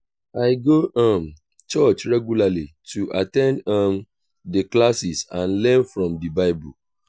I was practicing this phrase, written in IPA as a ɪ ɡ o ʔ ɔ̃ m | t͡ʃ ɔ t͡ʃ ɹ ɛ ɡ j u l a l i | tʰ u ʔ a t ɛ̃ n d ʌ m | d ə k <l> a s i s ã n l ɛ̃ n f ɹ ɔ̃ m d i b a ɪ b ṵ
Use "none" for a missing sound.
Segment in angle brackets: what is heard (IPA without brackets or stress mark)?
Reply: l